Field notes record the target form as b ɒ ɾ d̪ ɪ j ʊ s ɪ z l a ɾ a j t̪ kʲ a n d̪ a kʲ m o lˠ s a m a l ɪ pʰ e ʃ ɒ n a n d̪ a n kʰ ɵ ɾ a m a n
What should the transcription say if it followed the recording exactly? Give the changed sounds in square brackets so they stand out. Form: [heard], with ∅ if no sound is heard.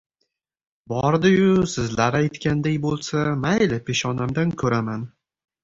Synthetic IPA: b ɒ ɾ d̪ ɪ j ʊ s ɪ z l a ɾ a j t̪ kʲ a n d̪ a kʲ [b] o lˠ s a m a l ɪ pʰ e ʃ ɒ n a [m] d̪ a n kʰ ɵ ɾ a m a n